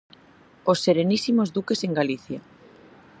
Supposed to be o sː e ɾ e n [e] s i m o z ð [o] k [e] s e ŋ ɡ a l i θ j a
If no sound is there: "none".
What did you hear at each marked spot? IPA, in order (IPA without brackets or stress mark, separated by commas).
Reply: i, u, e